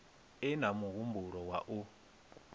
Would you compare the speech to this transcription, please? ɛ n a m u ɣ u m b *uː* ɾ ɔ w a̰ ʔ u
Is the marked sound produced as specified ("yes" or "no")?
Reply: no